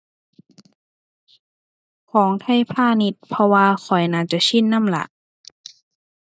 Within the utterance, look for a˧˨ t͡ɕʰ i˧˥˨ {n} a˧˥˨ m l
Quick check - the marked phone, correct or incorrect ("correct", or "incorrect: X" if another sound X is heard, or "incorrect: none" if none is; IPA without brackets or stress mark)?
incorrect: nː